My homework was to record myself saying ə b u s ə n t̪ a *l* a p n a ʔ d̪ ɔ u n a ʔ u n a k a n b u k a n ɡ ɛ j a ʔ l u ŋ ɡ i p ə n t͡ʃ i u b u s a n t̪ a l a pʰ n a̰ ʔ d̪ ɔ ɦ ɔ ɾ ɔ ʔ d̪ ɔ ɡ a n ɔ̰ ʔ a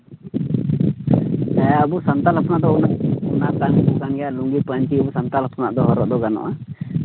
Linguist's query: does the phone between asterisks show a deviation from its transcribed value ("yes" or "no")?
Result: no